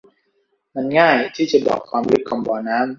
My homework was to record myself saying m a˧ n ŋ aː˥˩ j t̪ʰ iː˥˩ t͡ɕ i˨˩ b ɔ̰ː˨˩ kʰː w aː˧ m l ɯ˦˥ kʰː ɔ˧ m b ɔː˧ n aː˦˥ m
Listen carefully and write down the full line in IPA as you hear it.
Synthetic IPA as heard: m a˧ n ŋ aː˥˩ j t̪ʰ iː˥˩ t͡ɕ a˨˩ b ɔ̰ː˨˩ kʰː w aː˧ m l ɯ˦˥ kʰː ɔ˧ m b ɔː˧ n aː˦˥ m